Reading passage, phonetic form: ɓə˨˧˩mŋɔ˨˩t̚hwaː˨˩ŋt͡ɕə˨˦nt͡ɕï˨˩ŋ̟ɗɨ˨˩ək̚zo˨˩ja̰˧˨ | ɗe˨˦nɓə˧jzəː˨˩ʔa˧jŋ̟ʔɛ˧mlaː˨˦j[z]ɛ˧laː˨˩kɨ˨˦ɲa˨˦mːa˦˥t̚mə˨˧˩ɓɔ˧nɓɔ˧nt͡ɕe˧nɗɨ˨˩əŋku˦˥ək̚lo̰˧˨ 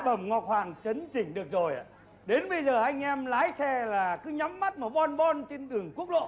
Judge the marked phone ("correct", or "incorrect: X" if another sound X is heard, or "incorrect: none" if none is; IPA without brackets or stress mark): incorrect: s